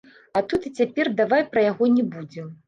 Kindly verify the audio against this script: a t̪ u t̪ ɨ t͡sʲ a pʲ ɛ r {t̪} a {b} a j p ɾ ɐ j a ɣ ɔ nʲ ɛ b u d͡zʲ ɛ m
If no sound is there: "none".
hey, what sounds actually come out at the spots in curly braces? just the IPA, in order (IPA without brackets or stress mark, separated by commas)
d̪, v